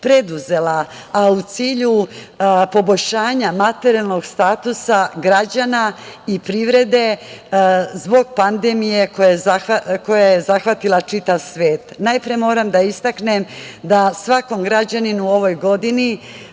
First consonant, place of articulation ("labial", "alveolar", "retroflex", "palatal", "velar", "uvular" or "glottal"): labial